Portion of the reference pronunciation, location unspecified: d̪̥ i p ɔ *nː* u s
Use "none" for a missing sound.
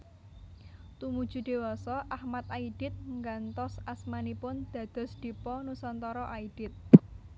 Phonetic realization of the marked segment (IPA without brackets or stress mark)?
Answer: n